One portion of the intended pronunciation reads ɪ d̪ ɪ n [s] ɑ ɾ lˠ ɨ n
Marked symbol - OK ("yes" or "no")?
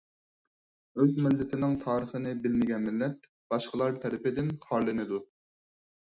no